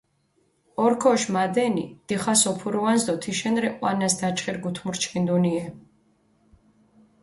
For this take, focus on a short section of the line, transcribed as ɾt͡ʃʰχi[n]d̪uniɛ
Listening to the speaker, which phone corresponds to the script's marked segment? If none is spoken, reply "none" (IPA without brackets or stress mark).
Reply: n